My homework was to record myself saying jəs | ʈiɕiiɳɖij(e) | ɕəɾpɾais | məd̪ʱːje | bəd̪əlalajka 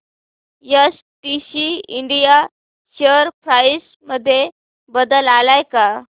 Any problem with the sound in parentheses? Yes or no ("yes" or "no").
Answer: yes